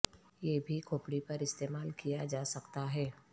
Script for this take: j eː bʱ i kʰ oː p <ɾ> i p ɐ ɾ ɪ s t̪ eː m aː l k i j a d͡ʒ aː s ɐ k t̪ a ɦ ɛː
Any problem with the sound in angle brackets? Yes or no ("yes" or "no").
yes